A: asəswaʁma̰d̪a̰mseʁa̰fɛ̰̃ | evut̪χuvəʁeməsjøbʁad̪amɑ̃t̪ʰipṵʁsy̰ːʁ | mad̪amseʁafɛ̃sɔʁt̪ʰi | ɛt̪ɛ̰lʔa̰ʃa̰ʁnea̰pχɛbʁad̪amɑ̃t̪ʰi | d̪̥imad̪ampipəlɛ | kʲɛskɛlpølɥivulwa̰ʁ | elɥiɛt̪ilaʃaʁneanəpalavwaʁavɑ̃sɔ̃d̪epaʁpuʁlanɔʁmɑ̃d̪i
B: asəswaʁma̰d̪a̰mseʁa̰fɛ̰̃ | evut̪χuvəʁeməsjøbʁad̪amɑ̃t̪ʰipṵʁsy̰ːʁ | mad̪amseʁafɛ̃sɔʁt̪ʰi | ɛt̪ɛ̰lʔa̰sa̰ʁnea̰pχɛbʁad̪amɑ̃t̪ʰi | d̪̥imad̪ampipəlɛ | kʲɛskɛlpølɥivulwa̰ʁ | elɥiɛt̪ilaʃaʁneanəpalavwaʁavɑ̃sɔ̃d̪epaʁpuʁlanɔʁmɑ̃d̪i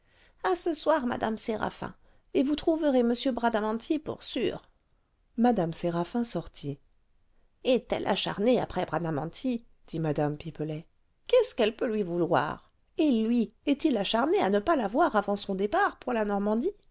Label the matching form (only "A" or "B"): A